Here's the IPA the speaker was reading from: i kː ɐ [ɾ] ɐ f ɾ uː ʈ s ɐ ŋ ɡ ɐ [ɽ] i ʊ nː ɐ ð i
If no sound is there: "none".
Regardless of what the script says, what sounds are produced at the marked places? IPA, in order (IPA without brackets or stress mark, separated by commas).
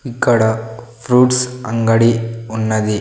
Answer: ɽ, ɽ